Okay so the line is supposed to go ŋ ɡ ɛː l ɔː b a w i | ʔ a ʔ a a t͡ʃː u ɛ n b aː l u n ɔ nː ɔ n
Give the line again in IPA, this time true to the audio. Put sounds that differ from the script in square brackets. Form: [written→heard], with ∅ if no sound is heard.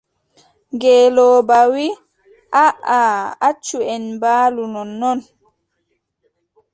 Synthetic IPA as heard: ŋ ɡ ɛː l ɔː b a w i | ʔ a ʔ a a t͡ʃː u ɛ n b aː l u n ɔ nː ɔ n